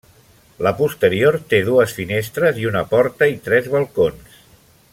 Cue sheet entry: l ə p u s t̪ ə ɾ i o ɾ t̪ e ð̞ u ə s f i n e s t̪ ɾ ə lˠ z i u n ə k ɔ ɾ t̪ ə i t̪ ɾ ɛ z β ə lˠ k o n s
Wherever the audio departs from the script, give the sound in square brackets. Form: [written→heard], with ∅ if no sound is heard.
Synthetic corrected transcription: l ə p u s t̪ ə ɾ i o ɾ t̪ e ð̞ u ə s f i n e s t̪ ɾ ə [lˠ→∅] z i u n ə [k→p] ɔ ɾ t̪ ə i t̪ ɾ ɛ z β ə lˠ k o n s

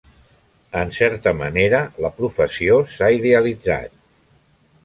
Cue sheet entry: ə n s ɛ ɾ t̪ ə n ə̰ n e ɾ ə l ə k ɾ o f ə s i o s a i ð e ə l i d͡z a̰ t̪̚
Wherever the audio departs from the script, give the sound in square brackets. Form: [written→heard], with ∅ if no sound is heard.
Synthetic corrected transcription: ə n s ɛ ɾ t̪ ə [n→m] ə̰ n e ɾ ə l ə [k→p] ɾ [o→u] f ə s i o s a i ð e ə l i d͡z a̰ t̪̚

